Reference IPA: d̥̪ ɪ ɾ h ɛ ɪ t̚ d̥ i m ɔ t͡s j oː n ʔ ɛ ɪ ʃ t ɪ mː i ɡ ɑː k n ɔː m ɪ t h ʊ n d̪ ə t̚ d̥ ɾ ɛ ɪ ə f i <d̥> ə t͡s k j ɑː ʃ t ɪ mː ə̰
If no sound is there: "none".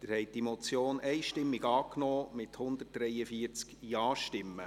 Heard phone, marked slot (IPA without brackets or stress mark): none